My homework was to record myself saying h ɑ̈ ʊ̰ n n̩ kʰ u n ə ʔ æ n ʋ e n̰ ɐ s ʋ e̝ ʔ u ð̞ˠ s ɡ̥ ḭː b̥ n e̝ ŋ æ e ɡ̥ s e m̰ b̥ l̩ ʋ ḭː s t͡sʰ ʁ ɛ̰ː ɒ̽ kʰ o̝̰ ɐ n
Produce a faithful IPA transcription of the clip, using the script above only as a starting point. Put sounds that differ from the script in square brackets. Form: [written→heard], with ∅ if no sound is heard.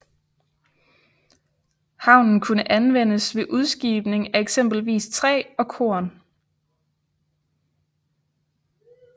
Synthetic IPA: h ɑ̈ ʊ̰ n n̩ kʰ u n ə ʔ æ n ʋ e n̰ [ɐ→ə] s ʋ e̝ ʔ u ð̞ˠ s ɡ̥ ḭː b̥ n e̝ ŋ æ e ɡ̥ s e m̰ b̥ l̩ ʋ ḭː s t͡sʰ ʁ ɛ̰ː ɒ̽ kʰ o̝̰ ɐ n